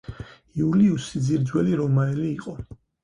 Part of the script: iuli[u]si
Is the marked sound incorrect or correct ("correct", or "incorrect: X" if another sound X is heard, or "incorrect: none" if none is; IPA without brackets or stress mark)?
correct